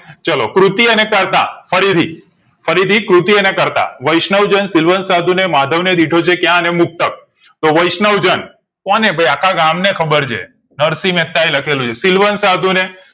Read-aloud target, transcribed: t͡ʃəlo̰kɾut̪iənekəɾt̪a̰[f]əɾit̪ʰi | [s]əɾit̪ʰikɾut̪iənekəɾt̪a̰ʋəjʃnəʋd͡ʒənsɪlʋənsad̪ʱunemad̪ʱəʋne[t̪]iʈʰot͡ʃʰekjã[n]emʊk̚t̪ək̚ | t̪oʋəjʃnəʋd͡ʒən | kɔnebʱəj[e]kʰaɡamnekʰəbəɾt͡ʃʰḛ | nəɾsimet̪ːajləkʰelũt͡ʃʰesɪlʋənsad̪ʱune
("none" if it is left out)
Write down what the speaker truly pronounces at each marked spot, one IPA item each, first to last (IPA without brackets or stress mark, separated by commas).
f, f, d̪, n, a